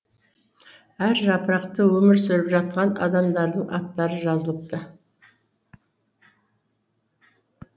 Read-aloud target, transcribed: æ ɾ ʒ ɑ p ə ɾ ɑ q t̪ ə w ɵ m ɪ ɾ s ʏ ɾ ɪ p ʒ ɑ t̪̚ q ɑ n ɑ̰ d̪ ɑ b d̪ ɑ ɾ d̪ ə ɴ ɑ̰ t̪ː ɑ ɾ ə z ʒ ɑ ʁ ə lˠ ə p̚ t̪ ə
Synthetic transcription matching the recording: æ ɾ ʒ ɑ p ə ɾ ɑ q t̪ ə w ɵ m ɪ ɾ s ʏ ɾ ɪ p ʒ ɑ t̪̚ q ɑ n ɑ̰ d̪ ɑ m d̪ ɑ ɾ d̪ ə ɴ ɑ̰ t̪ː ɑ ɾ ə ʒ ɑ z ə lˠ ə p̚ t̪ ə